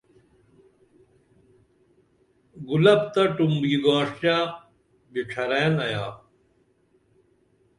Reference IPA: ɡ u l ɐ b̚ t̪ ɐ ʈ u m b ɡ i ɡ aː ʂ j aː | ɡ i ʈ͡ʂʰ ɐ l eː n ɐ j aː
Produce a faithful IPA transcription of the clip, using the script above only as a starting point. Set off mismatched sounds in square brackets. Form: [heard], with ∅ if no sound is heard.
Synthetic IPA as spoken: ɡ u l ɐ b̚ t̪ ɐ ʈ u m b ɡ i ɡ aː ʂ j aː | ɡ i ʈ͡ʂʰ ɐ [ɾ] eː n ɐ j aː